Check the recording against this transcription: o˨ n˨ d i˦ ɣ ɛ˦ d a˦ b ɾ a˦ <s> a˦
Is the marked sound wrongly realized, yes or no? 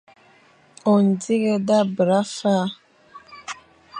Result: yes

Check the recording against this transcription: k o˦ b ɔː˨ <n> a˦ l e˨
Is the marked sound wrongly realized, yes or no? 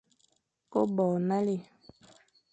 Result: no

